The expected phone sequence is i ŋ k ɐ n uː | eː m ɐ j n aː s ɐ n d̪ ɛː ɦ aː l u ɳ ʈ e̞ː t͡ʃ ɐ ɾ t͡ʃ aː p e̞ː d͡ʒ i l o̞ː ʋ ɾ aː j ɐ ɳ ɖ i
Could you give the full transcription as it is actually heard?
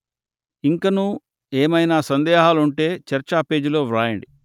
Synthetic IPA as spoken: i ŋ k ɐ n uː | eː m ɐ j n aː s ɐ n d̪ ɛː ɦ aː l u ɳ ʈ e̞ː t͡ʃ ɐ ɾ t͡ʃ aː p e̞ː d͡ʒ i l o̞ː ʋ ɾ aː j ɐ ɳ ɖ i